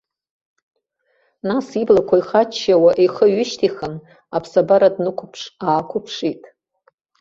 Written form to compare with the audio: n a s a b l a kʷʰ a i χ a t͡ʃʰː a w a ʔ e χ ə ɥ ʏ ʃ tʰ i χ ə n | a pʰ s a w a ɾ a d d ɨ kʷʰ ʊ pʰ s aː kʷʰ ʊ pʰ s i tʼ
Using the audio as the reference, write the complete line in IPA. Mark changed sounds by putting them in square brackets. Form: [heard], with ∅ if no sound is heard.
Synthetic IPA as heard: n a s [i] b l a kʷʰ a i χ a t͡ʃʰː a w a ʔ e χ ə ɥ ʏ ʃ tʰ i χ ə n | a pʰ s a [b] a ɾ a d [n] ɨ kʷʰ ʊ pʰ [ʂ] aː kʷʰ ʊ pʰ [ʂ] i tʼ